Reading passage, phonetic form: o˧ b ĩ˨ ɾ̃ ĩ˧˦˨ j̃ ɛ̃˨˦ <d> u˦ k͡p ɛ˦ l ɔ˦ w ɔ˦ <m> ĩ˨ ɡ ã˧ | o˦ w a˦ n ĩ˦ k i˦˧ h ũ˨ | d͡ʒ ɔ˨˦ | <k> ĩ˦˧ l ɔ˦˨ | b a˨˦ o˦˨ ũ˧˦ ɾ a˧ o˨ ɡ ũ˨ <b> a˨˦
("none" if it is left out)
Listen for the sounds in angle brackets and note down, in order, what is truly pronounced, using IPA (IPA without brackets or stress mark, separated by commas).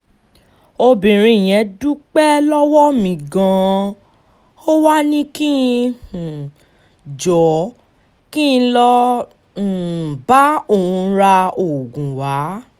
d, m, k, w